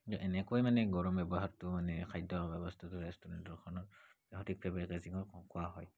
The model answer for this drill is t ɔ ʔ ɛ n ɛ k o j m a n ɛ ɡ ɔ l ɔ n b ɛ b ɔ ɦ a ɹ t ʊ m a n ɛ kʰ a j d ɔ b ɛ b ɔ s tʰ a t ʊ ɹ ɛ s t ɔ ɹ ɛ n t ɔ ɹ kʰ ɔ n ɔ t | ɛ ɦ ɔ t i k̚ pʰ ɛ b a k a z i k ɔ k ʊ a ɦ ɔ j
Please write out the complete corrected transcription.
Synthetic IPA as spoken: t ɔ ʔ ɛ n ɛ k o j m a n ɛ ɡ ɔ ɹ ɔ m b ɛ b ɔ ɦ a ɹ t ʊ m a n ɛ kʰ a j d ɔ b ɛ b ɔ s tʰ a t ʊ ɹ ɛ s t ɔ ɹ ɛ n t ɔ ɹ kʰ ɔ n ɔ t | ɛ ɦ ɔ t i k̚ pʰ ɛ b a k a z i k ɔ k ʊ a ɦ ɔ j